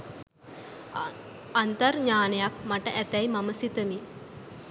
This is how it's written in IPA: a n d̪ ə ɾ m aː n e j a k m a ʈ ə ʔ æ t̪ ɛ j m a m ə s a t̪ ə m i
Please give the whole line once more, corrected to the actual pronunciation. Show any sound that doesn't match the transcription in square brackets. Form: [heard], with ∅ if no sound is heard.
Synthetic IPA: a n [t̪] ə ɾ [ɲ] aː n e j a k m a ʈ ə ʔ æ t̪ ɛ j m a m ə s [i] t̪ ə m i

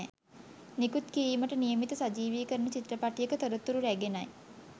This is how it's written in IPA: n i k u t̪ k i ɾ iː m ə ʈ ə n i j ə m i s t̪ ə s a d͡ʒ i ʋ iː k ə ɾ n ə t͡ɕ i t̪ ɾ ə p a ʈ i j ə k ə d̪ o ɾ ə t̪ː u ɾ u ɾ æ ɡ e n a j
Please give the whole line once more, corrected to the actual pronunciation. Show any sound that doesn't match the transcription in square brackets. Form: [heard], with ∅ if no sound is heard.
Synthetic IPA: n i k u t̪ k i ɾ iː m ə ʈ ə n i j ə m i [∅] t̪ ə s a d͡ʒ [iː] ʋ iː k ə ɾ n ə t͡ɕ i t̪ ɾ ə p a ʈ i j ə k ə [t̪] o ɾ ə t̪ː u ɾ u ɾ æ ɡ e n a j

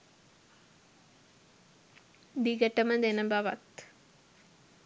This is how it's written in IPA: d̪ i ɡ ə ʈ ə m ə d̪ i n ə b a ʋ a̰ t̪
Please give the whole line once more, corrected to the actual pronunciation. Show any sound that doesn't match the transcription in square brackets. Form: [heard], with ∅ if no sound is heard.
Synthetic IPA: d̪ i ɡ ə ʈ ə m ə d̪ [e] n ə b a ʋ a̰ t̪

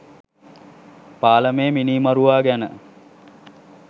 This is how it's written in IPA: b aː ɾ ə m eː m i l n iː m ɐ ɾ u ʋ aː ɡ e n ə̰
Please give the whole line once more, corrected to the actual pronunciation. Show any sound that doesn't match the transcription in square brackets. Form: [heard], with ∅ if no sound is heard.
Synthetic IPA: [p] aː [l] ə m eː m i [∅] n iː m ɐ ɾ u ʋ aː ɡ [æ] n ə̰

